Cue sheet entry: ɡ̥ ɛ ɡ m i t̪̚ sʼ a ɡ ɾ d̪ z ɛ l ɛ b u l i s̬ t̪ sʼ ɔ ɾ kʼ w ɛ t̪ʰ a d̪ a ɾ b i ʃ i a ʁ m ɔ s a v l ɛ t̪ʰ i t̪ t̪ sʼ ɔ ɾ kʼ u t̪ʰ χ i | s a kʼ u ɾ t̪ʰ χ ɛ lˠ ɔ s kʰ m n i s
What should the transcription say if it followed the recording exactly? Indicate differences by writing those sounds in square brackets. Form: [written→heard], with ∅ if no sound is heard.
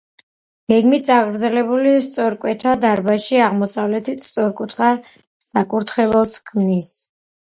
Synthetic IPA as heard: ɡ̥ ɛ ɡ m i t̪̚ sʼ a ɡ ɾ d̪ z ɛ l ɛ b u l i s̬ t̪ sʼ ɔ ɾ kʼ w ɛ t̪ʰ a d̪ a ɾ b [i→a] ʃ i a ʁ m ɔ s a v l ɛ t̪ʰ i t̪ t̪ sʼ ɔ ɾ kʼ u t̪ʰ χ [i→a] | s a kʼ u ɾ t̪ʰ χ ɛ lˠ ɔ s kʰ m n i s

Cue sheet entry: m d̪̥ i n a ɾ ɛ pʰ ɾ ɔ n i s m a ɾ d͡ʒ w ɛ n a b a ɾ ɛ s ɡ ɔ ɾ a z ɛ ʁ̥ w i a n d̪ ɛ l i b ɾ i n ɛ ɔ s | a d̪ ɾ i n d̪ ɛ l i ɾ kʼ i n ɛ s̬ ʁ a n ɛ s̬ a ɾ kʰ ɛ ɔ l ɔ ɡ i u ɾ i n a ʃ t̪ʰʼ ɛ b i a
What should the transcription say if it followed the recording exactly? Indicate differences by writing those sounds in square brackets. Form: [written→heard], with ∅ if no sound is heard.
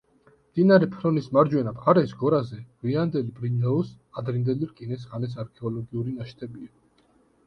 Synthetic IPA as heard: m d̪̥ i n a ɾ ɛ pʰ ɾ ɔ n i s m a ɾ d͡ʒ w ɛ n a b a ɾ ɛ s ɡ ɔ ɾ a z ɛ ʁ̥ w i a n d̪ ɛ l i b ɾ i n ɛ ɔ s | a d̪ ɾ i n d̪ ɛ l i ɾ kʼ i n ɛ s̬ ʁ a n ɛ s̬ a ɾ kʰ ɛ ɔ l ɔ ɡ i u ɾ i n a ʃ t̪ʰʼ ɛ b i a

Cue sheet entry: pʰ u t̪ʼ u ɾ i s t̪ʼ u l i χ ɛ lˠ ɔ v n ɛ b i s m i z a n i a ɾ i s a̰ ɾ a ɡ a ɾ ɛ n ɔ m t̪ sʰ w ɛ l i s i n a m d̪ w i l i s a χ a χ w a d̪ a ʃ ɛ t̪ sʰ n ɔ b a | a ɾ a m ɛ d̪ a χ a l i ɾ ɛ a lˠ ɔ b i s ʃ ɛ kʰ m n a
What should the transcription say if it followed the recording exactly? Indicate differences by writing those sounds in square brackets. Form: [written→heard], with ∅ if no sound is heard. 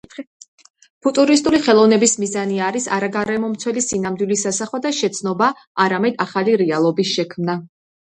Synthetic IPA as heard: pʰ u t̪ʼ u ɾ i s t̪ʼ u l i χ ɛ lˠ ɔ v n ɛ b i s m i z a n i a ɾ i s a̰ ɾ a ɡ a ɾ ɛ [n→m] ɔ m t̪ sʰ w ɛ l i s i n a m d̪ w i l i s a [χ→s] a χ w a d̪ a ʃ ɛ t̪ sʰ n ɔ b a | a ɾ a m ɛ d̪ a χ a l i ɾ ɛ a lˠ ɔ b i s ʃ ɛ kʰ m n a

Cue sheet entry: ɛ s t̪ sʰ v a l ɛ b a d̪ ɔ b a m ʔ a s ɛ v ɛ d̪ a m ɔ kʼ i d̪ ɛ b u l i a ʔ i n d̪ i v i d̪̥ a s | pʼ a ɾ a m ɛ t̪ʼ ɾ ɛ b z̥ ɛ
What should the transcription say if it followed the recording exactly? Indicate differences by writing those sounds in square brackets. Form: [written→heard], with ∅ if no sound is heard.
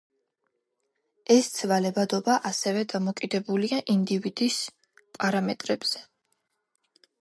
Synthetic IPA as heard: ɛ s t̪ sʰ v a l ɛ b a d̪ ɔ b a [m→∅] ʔ a s ɛ v ɛ d̪ a m ɔ kʼ i d̪ ɛ b u l i a ʔ i n d̪ i v i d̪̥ [a→i] s | pʼ a ɾ a m ɛ t̪ʼ ɾ ɛ b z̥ ɛ

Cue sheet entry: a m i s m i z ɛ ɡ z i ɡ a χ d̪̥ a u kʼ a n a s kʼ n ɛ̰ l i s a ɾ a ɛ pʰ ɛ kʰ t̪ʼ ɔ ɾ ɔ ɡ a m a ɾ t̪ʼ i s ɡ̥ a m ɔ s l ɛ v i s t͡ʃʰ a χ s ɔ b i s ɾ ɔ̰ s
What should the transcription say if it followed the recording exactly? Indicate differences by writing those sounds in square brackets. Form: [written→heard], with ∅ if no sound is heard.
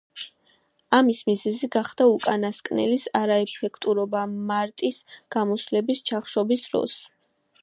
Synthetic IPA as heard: a m i s m i z ɛ [ɡ→∅] z i ɡ a χ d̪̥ a u kʼ a n a s kʼ n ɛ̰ l i s a ɾ a ɛ pʰ ɛ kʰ t̪ʼ [ɔ→u] ɾ ɔ [ɡ→b] a m a ɾ t̪ʼ i s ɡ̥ a m ɔ s l ɛ [v→b] i s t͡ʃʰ a χ [s→ʃ] ɔ b i s ɾ ɔ̰ s

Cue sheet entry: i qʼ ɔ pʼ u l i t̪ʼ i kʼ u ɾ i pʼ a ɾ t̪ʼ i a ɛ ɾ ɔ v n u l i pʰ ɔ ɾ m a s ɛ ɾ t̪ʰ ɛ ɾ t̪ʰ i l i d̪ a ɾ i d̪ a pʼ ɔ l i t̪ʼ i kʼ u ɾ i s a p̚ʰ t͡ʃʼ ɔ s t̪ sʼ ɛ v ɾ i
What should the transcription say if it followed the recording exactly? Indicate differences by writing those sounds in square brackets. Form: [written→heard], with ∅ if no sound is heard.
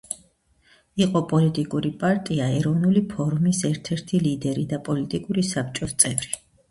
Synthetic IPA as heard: i qʼ ɔ pʼ [u→ɔ] l i t̪ʼ i kʼ u ɾ i pʼ a ɾ t̪ʼ i a ɛ ɾ ɔ v n u l i pʰ ɔ ɾ m [a→i] s ɛ ɾ t̪ʰ ɛ ɾ t̪ʰ i l i d̪ [a→ɛ] ɾ i d̪ a pʼ ɔ l i t̪ʼ i kʼ u ɾ i s a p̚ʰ t͡ʃʼ ɔ s t̪ sʼ ɛ v ɾ i

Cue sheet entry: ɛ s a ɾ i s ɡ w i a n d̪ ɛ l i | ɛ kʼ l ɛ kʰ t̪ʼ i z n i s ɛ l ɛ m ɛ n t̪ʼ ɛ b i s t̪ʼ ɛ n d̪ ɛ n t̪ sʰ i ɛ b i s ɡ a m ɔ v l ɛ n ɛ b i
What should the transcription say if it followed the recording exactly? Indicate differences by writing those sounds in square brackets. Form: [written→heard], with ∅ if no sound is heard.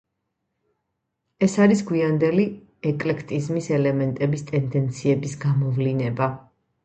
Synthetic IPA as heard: ɛ s a ɾ i s ɡ w i a n d̪ ɛ l i | ɛ kʼ l ɛ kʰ t̪ʼ i z [n→m] i s ɛ l ɛ m ɛ n t̪ʼ ɛ b i s t̪ʼ ɛ n d̪ ɛ n t̪ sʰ i ɛ b i s ɡ a m ɔ v l [ɛ→i] n ɛ b [i→a]

